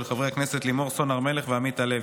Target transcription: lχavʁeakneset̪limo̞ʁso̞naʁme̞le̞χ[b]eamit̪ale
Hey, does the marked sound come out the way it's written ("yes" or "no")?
no